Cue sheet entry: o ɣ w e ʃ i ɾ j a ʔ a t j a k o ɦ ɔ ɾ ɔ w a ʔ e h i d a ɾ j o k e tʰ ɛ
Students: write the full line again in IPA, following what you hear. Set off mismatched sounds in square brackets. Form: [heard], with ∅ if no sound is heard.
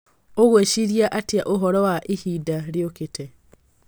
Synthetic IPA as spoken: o ɣ w e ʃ i ɾ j a ʔ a t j a [ʔ] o ɦ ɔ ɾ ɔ w a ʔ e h i d a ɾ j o k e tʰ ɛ